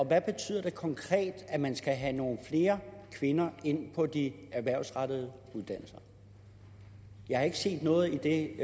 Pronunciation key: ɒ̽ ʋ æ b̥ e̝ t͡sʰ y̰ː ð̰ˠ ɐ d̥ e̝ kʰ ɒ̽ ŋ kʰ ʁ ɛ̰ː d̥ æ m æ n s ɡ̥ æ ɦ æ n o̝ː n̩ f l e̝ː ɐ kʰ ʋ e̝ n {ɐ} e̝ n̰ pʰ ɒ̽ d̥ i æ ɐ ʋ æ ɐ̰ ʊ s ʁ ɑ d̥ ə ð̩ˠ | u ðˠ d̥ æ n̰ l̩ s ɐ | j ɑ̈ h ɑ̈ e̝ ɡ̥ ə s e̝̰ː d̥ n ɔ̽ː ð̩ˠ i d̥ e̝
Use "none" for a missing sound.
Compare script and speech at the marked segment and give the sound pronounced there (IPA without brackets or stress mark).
ɐ